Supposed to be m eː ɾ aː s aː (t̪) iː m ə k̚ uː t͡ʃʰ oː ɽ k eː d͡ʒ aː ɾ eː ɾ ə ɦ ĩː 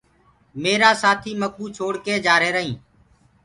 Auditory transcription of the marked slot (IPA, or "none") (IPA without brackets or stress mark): t̪ʰ